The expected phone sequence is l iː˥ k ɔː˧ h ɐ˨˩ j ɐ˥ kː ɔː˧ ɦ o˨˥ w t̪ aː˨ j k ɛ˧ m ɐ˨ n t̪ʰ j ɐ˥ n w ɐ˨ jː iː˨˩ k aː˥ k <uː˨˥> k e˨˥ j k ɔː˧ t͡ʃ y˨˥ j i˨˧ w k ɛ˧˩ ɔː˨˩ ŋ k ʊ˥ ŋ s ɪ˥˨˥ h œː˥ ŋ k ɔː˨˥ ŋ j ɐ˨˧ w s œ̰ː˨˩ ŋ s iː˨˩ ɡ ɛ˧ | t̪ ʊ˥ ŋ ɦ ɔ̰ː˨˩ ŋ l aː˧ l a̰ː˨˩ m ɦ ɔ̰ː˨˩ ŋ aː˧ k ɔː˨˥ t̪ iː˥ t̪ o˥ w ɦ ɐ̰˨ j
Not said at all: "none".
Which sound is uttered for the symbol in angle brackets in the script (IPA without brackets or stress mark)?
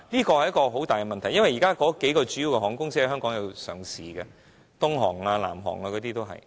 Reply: ɔː˨˥